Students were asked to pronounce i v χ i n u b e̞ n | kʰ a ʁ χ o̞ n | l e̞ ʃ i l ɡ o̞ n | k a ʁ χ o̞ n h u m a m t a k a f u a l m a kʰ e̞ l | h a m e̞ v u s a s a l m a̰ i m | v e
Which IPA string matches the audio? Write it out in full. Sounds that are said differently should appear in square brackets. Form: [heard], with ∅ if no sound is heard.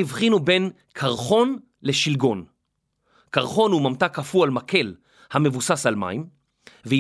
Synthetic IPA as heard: i v χ i n u b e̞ n | kʰ a ʁ χ o̞ n | l e̞ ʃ i l ɡ o̞ n | k a ʁ χ o̞ n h u m a m t a k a f u a l m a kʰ e̞ l | h a m e̞ v u s a s a l m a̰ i m | v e